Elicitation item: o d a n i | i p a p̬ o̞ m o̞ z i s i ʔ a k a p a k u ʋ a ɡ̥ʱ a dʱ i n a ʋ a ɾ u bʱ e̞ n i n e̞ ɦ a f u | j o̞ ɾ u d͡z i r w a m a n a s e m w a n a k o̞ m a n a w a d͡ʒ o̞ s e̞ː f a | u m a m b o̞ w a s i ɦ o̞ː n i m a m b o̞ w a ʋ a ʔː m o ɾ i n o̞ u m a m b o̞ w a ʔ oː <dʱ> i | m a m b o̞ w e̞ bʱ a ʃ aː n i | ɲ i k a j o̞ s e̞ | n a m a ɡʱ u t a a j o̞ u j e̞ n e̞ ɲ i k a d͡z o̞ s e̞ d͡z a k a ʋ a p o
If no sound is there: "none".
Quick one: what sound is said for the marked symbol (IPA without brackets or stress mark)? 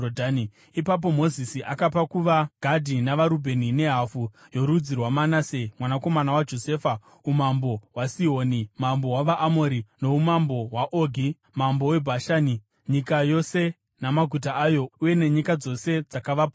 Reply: ɡʱ